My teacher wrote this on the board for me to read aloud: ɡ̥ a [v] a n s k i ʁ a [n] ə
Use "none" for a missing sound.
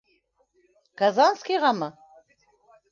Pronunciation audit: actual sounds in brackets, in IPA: z, m

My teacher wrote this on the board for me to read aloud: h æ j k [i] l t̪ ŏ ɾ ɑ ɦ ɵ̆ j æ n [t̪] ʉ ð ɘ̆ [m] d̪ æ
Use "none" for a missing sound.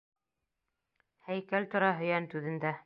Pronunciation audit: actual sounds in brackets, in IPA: æ, t̪, n

